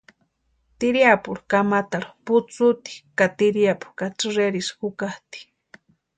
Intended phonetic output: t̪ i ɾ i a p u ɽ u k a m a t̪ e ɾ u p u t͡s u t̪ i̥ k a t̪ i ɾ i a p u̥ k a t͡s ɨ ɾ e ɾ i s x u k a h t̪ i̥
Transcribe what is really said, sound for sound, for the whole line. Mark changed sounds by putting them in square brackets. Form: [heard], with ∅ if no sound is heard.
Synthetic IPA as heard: t̪ i ɾ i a p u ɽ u k a m a t̪ [a] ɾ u p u t͡s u t̪ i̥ k a t̪ i ɾ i a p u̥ k a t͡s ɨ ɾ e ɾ i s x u k a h t̪ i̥